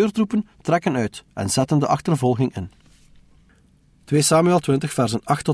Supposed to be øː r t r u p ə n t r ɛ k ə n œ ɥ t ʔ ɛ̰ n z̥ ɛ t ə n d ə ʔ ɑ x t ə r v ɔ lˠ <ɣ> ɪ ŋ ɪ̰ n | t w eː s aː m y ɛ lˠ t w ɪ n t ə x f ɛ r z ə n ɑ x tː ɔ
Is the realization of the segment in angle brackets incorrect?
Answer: no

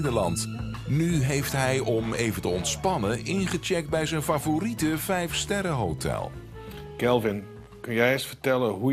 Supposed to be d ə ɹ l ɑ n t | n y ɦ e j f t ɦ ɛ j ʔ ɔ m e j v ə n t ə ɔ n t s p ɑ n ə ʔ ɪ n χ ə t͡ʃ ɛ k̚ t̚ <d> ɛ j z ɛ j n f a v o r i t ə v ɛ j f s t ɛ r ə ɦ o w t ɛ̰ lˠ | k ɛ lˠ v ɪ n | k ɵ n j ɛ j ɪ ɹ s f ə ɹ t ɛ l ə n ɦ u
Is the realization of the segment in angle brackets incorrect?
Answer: yes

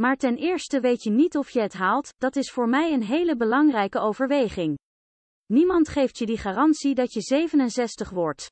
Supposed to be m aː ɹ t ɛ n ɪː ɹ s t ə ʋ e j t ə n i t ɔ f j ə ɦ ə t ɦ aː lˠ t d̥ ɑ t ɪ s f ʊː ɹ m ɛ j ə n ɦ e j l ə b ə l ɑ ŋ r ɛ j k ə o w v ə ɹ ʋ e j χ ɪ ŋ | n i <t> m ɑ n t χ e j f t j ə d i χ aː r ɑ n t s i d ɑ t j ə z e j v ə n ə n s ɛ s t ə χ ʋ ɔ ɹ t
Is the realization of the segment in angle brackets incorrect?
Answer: yes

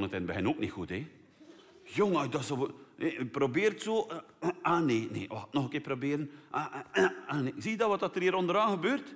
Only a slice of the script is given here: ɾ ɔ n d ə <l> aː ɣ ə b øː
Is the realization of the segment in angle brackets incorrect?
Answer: yes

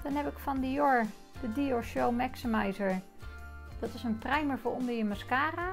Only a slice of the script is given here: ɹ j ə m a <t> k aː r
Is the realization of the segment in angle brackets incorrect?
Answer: yes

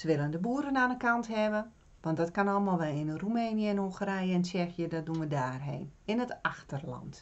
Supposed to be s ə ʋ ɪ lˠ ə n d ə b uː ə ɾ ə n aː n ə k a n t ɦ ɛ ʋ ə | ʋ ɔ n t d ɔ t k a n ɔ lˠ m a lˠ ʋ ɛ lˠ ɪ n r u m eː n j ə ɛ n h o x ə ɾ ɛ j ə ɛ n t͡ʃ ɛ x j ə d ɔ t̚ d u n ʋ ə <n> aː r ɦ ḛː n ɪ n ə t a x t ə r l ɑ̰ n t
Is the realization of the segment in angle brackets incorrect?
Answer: yes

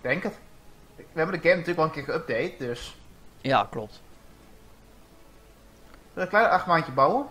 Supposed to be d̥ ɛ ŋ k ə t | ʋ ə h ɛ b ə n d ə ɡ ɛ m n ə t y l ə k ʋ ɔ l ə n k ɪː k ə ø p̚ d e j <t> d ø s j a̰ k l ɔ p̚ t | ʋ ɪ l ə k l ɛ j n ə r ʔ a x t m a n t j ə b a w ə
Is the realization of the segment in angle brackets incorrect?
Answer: no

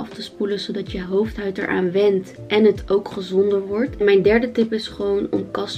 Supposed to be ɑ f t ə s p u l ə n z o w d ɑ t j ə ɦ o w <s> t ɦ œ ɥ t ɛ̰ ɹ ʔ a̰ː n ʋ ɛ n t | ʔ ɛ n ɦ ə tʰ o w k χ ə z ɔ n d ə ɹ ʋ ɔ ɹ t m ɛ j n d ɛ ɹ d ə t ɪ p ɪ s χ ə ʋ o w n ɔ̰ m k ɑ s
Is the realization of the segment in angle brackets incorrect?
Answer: yes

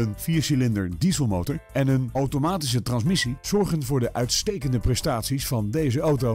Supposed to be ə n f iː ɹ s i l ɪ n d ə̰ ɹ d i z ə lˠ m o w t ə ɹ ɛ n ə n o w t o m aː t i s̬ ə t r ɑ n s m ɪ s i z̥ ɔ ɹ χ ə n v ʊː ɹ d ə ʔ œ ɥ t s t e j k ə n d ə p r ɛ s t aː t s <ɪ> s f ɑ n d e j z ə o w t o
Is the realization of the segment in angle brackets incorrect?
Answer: yes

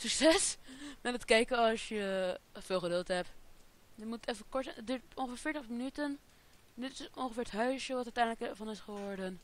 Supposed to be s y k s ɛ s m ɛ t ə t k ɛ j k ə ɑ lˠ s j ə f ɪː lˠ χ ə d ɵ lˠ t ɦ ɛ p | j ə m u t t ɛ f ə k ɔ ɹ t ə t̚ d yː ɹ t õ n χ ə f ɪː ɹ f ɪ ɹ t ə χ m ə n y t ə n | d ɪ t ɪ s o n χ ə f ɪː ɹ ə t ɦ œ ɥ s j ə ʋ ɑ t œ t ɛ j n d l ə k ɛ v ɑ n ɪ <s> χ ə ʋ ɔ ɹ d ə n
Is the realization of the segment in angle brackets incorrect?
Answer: no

